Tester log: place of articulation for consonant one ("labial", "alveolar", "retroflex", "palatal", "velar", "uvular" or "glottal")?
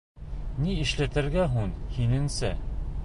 alveolar